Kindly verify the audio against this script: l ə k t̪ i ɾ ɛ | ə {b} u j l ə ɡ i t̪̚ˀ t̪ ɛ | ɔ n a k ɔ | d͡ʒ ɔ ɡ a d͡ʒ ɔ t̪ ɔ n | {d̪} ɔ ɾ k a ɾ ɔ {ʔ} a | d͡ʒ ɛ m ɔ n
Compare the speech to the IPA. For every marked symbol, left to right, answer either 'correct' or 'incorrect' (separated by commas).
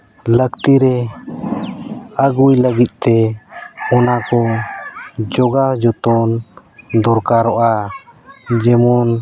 incorrect, correct, correct